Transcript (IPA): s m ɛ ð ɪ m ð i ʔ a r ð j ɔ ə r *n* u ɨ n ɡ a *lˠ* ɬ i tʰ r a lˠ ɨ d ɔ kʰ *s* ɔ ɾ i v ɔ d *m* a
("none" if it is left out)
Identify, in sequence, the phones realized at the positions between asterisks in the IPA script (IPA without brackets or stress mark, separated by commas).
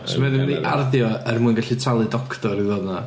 m, none, t, n